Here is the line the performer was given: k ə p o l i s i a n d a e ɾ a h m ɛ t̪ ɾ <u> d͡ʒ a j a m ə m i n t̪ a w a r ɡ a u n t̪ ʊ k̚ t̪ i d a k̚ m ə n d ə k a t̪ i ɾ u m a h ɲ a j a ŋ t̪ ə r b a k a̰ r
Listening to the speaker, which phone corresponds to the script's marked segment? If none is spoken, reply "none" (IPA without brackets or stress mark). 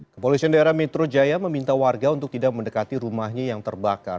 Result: o